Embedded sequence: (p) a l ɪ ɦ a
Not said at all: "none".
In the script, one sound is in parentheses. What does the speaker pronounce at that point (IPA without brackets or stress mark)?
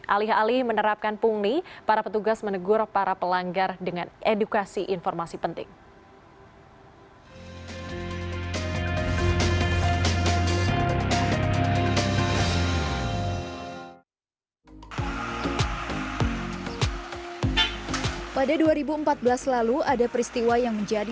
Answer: ʔ